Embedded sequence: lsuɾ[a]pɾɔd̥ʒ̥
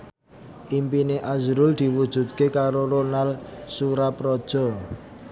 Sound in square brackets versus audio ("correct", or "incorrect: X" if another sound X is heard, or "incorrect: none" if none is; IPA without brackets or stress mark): correct